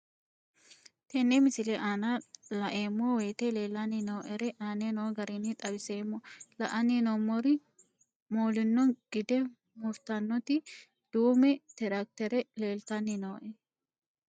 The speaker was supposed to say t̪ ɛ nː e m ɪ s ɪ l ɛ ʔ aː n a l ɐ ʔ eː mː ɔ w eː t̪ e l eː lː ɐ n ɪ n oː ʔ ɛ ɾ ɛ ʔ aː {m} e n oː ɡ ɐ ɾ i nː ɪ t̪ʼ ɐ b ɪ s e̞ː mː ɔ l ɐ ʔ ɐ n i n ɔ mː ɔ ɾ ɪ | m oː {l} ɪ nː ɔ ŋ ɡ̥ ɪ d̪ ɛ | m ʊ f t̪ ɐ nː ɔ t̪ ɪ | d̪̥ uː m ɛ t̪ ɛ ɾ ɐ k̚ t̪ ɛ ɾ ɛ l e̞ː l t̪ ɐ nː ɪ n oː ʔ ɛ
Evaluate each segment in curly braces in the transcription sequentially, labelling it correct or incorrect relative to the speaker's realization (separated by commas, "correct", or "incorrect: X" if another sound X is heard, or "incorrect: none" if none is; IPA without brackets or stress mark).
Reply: incorrect: n, correct